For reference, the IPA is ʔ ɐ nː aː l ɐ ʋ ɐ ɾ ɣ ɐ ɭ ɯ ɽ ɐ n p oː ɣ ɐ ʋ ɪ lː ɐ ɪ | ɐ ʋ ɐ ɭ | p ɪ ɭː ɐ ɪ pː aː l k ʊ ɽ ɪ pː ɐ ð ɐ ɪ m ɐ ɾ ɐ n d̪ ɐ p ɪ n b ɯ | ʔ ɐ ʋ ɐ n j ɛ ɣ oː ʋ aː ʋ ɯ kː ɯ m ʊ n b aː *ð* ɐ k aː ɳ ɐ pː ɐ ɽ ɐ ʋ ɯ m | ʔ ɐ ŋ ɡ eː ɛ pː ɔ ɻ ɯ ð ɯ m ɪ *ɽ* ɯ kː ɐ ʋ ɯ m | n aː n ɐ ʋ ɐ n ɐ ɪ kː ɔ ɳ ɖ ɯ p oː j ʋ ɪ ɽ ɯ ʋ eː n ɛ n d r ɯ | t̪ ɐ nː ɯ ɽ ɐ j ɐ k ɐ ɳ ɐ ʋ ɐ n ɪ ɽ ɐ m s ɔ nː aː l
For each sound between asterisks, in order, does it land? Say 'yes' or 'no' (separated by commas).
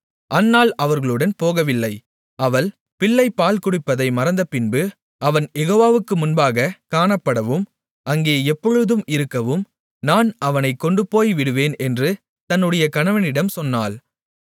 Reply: no, no